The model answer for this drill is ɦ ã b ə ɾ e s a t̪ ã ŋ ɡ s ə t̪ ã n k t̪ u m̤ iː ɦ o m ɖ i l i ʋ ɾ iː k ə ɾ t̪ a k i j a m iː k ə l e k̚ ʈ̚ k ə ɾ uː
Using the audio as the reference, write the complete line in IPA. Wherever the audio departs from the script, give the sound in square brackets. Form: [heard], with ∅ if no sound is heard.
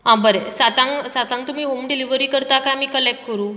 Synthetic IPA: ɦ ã b ə ɾ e s a t̪ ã ŋ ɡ s [a] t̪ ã [ŋ] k t̪ u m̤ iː ɦ o m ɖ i l i ʋ ɾ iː k ə ɾ t̪ a k [a] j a m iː k ə l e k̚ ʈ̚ k ə ɾ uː